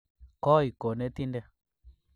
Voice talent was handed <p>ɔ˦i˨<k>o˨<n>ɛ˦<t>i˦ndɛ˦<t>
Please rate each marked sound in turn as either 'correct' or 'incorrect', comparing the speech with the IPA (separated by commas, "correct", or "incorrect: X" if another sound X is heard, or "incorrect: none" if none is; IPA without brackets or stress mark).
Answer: incorrect: k, correct, correct, correct, incorrect: none